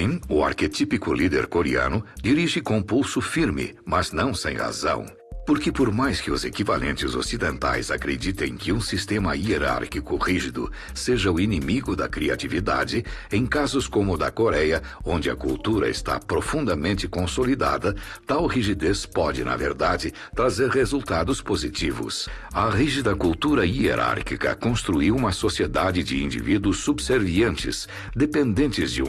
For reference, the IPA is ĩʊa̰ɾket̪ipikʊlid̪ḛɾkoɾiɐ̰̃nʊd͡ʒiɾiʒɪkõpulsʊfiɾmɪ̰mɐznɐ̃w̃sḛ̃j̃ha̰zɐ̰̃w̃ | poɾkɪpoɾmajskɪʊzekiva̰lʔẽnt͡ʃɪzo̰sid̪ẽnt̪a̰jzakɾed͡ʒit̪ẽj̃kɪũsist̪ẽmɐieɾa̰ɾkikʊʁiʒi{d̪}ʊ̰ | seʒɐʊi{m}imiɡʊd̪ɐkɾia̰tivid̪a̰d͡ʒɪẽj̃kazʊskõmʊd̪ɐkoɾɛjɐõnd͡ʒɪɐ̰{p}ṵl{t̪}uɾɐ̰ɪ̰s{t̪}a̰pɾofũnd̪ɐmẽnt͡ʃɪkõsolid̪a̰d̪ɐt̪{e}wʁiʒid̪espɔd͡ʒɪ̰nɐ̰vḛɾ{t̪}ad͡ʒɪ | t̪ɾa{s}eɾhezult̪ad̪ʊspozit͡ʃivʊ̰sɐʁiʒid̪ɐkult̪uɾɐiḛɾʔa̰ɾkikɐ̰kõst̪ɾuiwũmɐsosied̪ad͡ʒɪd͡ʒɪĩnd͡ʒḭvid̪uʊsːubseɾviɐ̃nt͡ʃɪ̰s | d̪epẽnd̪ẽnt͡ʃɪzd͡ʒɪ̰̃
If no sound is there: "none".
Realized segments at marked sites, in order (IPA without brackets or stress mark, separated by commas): d̪, n, k, t̪, t̪, a, d̪, z